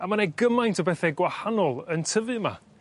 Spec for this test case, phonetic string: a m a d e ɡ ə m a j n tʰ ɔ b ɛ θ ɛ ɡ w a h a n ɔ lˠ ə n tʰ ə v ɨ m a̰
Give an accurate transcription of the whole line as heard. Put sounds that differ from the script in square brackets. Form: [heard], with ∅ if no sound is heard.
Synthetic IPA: a m a [n] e ɡ ə m a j n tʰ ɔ b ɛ θ ɛ ɡ w a h a n ɔ lˠ ə n tʰ ə v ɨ m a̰